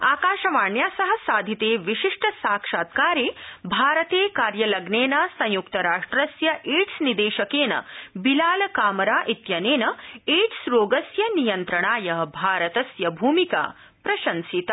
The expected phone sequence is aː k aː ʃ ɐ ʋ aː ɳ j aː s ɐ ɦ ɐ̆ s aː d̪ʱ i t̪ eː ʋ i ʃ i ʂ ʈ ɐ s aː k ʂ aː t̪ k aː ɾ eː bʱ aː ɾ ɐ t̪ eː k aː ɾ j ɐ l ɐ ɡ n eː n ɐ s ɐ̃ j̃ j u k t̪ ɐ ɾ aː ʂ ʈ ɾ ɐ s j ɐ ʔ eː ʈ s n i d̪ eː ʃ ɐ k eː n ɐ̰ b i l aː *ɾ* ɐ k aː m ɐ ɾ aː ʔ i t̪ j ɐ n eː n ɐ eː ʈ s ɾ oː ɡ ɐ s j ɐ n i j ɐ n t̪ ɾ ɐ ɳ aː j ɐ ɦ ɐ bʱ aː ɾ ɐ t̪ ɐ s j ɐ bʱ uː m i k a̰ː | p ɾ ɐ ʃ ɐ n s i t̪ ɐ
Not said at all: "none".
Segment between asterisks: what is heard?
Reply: l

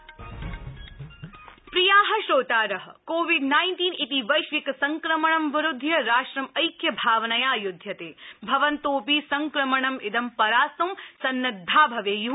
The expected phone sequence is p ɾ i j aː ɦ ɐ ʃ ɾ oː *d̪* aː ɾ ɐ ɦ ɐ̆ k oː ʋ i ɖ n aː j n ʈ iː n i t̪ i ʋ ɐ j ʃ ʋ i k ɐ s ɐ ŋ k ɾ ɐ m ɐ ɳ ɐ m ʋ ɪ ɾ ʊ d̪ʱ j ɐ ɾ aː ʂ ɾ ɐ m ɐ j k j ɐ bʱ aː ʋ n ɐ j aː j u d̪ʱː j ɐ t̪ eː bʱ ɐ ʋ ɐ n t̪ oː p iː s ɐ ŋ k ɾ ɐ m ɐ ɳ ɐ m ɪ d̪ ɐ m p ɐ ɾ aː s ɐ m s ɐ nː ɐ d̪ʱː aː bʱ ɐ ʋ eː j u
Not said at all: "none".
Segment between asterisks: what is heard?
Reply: t̪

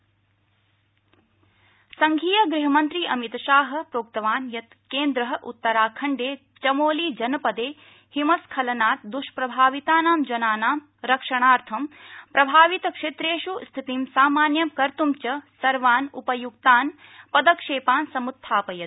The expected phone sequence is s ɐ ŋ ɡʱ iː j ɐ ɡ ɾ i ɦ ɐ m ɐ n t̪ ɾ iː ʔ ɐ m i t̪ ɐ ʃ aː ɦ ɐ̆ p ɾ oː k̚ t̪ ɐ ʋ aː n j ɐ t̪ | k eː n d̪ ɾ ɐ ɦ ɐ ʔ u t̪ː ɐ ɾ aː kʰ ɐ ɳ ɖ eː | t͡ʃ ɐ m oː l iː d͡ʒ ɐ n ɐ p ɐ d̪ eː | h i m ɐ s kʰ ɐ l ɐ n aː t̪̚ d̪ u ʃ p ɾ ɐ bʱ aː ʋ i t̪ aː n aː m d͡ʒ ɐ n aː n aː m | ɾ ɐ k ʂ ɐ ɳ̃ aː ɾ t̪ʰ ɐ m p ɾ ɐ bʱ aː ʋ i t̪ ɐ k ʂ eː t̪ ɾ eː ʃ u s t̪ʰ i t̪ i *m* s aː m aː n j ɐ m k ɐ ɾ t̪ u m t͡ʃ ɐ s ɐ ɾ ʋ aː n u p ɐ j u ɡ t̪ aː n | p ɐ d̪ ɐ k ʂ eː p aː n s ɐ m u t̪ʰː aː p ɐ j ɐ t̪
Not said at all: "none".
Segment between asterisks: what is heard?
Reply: m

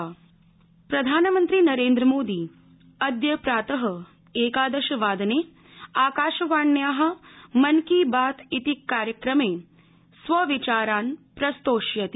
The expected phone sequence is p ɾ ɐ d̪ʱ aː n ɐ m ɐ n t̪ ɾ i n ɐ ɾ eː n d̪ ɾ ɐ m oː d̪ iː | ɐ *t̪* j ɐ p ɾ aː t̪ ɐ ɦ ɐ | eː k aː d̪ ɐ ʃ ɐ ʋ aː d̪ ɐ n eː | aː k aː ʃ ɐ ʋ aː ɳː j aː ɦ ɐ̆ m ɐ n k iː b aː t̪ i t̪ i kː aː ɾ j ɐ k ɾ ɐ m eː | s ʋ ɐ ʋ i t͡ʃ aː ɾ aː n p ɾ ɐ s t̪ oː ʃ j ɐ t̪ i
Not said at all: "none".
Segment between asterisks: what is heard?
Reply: d̪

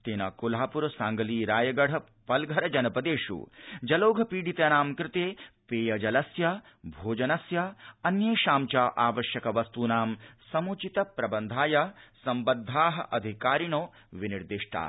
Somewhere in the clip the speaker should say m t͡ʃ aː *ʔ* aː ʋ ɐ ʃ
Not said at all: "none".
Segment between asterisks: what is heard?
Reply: ʔ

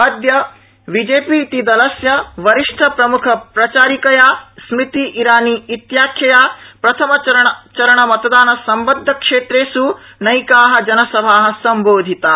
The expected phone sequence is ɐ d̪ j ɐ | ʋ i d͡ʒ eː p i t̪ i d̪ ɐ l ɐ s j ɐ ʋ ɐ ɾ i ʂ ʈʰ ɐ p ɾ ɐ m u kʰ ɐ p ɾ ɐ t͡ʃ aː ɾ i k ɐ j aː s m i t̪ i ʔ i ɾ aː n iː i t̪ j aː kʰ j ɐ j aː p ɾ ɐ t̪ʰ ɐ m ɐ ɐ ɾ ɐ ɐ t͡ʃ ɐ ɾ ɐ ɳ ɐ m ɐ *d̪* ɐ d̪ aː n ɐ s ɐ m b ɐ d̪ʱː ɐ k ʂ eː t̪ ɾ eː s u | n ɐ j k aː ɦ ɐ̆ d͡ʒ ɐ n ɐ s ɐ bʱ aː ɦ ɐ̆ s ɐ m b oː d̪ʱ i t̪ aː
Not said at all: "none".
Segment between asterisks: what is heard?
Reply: t̪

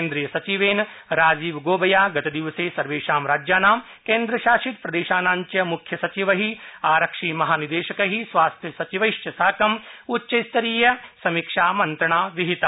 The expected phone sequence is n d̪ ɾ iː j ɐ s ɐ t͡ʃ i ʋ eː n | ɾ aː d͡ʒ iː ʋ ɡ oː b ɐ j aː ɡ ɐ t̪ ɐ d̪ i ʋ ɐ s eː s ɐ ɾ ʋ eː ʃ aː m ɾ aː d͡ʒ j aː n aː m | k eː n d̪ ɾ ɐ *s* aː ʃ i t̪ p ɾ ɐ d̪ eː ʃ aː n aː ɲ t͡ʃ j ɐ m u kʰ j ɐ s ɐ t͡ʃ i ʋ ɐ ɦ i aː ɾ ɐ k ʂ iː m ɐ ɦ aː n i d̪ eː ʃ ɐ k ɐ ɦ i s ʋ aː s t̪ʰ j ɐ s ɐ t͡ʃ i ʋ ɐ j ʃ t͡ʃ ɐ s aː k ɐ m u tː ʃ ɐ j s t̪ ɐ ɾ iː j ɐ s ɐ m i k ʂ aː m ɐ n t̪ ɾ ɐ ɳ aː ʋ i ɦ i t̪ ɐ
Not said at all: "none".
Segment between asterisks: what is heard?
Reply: ʃ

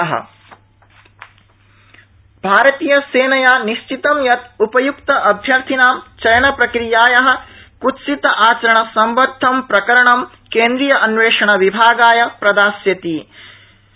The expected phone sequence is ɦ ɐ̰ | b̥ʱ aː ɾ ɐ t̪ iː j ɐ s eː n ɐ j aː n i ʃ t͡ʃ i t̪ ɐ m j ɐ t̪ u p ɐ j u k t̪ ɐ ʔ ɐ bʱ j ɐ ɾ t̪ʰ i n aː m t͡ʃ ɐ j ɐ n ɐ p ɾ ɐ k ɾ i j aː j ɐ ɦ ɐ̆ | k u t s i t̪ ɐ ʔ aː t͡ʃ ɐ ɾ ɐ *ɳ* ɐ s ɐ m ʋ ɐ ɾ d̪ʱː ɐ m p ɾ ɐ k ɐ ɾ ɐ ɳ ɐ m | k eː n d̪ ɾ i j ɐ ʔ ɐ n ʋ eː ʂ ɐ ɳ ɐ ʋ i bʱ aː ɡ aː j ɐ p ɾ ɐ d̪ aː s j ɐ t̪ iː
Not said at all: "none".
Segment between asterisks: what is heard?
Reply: ɳ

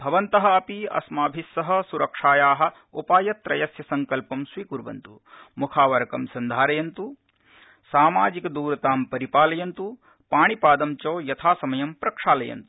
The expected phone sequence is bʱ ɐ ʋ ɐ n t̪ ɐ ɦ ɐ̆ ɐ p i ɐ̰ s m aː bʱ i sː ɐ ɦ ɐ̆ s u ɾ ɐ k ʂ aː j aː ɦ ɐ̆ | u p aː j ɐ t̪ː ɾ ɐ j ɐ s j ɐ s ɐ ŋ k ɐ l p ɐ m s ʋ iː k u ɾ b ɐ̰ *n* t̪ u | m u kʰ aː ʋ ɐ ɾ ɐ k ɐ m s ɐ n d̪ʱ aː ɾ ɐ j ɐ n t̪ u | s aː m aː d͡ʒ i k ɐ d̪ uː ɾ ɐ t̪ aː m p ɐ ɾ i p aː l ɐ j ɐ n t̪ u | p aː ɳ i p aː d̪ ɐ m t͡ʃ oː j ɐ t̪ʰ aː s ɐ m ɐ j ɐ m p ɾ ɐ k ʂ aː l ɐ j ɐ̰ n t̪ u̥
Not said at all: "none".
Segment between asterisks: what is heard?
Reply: n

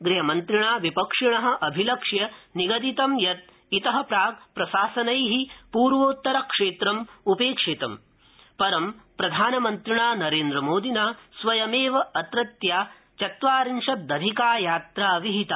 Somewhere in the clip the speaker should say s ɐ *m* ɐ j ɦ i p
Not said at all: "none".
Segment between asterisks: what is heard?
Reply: n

